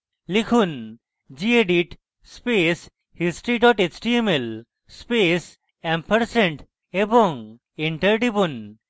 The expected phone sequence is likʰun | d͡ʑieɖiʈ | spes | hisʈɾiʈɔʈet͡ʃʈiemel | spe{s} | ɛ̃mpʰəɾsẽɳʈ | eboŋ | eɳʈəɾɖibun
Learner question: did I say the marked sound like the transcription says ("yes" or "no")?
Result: yes